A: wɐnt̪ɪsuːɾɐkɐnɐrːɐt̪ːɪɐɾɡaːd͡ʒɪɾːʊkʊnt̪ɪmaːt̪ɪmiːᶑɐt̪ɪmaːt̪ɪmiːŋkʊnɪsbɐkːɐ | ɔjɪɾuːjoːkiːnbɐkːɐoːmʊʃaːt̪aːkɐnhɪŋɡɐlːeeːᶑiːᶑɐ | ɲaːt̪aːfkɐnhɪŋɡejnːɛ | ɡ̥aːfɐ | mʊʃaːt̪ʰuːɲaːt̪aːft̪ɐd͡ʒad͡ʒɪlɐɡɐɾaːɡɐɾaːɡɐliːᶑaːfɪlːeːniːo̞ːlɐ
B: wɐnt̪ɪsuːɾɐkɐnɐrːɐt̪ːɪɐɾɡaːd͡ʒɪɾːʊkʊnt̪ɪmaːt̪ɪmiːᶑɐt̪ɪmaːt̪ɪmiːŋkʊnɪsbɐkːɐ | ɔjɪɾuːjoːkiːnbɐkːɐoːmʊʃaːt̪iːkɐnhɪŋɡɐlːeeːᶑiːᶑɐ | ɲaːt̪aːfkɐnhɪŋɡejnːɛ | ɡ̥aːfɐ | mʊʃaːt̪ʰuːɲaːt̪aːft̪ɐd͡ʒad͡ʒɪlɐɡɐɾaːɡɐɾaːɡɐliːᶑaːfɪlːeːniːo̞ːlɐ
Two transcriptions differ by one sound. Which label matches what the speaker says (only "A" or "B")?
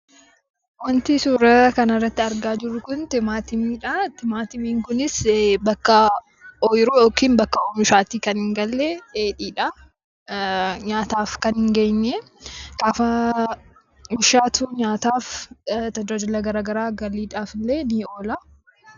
B